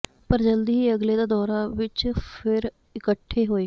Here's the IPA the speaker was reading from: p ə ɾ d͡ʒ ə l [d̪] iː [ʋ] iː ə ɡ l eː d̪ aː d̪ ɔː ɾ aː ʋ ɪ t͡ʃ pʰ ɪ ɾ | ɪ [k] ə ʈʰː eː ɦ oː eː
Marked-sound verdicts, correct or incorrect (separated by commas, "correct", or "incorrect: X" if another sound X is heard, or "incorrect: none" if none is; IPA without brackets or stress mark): correct, incorrect: none, correct